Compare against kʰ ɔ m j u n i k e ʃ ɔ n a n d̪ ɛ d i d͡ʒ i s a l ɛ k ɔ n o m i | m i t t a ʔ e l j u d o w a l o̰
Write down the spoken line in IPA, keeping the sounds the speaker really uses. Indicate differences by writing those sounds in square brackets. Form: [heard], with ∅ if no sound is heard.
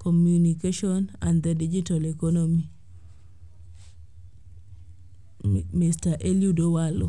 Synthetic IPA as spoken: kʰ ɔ m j u n i k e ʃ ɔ n a n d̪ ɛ d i d͡ʒ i [t] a l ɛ k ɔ n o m i | m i [s] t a ʔ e l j u d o w a l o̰